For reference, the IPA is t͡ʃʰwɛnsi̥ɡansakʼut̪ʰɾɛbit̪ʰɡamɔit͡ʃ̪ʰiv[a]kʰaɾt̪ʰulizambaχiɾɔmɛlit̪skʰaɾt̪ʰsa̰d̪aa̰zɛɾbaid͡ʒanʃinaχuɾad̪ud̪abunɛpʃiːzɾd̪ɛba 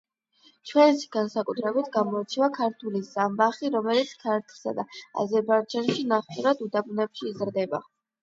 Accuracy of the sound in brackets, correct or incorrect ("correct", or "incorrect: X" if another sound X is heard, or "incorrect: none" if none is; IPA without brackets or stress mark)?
correct